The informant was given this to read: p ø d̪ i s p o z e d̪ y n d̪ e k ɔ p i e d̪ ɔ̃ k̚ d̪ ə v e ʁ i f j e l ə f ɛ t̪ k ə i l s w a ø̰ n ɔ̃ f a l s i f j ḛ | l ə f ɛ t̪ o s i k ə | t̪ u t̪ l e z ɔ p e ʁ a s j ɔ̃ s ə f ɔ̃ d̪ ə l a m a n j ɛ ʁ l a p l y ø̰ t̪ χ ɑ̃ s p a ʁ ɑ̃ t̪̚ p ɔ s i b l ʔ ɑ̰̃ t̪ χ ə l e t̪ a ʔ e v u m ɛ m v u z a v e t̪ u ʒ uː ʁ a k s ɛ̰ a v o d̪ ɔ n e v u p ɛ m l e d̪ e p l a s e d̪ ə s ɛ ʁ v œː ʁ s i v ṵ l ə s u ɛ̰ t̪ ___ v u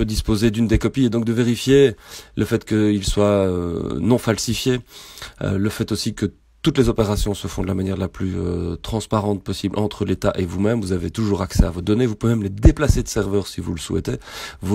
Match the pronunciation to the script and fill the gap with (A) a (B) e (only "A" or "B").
B